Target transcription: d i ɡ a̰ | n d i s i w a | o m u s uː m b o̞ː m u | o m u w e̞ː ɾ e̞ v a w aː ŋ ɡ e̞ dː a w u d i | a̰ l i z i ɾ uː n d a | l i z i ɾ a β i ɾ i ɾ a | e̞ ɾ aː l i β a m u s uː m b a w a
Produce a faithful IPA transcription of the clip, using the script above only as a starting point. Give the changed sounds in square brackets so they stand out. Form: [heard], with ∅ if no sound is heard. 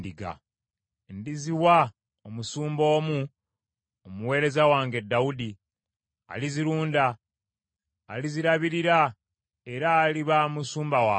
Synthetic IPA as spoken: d i ɡ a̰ | n d i [z] i w a | o m u s uː m b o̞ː m u | o m u w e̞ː ɾ e̞ [z] a w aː ŋ ɡ e̞ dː a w u d i | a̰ l i z i ɾ uː n d a | l i z i ɾ a β i ɾ i ɾ a | e̞ ɾ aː l i β a m u s uː m b a w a